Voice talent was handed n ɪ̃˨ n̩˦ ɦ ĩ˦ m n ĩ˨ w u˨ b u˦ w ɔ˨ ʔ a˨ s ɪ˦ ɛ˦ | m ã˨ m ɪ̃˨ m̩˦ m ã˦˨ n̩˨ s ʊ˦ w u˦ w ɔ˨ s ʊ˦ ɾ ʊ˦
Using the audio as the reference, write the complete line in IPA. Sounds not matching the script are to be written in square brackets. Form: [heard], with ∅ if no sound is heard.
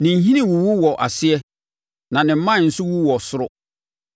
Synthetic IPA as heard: n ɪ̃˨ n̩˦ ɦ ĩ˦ [∅] n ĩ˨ w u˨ [w] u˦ w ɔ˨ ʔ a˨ s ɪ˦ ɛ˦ | [n] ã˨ [n] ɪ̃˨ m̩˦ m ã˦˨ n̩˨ s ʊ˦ w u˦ w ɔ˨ s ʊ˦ ɾ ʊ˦

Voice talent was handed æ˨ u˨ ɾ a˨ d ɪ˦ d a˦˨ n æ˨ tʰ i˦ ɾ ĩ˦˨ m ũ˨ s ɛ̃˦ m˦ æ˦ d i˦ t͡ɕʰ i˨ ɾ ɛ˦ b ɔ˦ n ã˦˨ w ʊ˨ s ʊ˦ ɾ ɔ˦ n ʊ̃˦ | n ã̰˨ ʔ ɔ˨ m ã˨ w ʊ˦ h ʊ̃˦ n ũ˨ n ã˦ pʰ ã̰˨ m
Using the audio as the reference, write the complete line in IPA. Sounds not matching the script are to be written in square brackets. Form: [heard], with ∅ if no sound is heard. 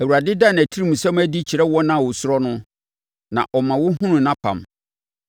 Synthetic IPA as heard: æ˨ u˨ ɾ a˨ d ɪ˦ d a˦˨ n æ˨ tʰ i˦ ɾ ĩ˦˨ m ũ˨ s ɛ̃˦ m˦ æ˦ d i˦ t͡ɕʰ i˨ ɾ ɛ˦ [w] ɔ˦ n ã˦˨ w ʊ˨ s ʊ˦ ɾ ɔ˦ n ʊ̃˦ | n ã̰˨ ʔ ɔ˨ m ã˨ w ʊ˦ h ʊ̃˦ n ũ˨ n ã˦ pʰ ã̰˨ m

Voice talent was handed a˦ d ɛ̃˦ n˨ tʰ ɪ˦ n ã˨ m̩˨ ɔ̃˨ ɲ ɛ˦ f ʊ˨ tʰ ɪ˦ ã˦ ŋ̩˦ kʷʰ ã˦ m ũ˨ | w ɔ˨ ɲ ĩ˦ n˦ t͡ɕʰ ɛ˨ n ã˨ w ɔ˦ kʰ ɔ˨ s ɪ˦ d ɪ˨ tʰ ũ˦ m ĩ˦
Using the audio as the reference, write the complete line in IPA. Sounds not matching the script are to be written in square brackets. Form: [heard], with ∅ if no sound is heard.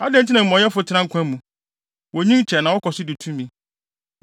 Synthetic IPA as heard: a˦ d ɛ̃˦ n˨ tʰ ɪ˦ n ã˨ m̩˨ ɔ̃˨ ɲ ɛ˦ f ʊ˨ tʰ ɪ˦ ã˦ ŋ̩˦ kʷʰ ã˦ m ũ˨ | w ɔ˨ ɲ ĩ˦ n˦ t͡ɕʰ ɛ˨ n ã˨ w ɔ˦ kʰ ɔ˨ s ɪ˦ d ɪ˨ tʰ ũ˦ m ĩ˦

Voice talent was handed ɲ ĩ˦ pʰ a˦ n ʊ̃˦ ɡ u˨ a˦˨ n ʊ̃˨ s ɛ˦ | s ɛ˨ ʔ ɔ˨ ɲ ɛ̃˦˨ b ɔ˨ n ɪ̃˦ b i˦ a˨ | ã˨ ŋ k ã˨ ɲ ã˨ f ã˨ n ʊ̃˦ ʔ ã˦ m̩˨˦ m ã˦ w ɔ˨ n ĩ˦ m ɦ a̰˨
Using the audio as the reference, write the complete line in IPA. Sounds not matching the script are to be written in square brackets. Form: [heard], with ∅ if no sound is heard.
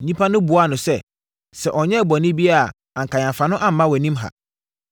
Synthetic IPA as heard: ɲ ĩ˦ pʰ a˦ n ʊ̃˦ [b] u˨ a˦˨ n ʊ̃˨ s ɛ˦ | s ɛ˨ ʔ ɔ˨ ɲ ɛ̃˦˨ b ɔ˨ n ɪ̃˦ b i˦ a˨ | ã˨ ŋ k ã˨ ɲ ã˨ f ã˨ n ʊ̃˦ ʔ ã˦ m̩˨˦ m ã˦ w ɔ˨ n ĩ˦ m ɦ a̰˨

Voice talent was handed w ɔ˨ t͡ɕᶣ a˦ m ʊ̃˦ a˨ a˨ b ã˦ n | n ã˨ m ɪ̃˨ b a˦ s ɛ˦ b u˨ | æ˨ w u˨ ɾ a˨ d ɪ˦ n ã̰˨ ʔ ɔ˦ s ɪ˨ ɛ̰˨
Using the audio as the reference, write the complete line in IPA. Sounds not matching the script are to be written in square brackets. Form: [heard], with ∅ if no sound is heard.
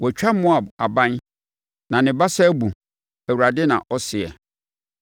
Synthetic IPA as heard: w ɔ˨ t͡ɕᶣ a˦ m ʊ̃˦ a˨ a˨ b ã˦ n | n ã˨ [n] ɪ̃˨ b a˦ s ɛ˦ b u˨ | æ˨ w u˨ ɾ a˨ d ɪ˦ n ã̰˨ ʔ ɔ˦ s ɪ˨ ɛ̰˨

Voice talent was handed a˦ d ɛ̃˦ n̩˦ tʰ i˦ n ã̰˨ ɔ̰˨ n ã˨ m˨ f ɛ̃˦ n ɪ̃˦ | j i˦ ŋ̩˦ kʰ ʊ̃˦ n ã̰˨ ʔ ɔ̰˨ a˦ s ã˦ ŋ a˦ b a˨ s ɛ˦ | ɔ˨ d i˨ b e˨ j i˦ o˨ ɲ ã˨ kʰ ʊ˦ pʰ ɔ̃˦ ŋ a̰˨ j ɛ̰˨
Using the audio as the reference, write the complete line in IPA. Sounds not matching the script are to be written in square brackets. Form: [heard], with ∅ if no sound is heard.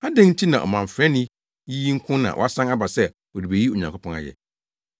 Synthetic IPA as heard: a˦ d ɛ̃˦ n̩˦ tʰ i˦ n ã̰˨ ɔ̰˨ [m] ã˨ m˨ f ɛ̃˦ n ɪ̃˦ | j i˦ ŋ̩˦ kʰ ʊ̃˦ n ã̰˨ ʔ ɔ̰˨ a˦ s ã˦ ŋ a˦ b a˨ s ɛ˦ | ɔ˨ d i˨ b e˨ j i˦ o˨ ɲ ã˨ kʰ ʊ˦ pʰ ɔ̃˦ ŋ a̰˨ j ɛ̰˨

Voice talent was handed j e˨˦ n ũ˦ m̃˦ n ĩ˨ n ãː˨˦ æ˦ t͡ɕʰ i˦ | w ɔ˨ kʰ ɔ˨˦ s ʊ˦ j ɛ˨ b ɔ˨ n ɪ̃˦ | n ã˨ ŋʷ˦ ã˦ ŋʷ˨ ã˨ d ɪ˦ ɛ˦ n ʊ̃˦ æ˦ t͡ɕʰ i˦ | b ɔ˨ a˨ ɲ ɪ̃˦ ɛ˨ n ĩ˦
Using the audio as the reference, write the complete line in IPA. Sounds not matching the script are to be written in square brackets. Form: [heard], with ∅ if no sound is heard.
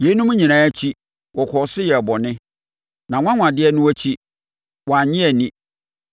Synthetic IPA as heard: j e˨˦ n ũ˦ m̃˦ [ɲ] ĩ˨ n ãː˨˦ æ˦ t͡ɕʰ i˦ | w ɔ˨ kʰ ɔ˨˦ s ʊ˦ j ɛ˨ b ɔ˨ n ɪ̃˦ | n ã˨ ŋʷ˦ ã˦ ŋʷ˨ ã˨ d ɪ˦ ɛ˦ n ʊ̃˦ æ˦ t͡ɕʰ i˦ | [w] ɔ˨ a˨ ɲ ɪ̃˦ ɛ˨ n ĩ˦

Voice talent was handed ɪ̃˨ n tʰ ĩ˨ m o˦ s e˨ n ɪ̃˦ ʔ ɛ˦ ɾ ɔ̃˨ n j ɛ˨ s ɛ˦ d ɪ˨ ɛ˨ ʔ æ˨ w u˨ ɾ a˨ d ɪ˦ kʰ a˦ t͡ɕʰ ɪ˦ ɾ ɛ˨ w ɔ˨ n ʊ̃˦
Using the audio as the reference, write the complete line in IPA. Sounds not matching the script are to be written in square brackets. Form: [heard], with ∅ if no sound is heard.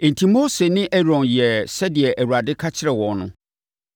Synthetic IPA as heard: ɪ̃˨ n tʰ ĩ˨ m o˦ s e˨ n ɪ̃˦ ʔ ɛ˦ ɾ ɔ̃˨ n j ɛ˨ s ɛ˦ d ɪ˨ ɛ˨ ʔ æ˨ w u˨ ɾ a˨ d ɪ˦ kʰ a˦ t͡ɕʰ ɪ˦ ɾ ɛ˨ w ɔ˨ n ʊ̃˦

